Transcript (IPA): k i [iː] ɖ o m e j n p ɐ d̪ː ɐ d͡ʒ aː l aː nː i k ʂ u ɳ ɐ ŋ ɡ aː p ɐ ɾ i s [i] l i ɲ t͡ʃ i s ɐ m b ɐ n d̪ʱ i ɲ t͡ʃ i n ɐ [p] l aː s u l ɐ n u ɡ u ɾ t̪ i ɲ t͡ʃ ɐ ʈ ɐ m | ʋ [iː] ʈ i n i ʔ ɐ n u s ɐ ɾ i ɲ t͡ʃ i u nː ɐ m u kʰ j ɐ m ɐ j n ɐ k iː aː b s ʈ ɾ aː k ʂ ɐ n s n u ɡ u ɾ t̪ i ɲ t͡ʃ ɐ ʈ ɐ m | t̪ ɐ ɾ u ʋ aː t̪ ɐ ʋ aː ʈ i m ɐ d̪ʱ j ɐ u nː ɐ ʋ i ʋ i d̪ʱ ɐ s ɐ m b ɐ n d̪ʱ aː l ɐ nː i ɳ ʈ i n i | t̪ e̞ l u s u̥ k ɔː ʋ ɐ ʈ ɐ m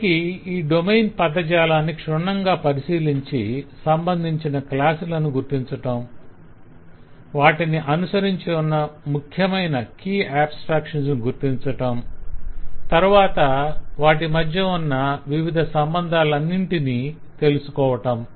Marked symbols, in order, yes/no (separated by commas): yes, no, no, no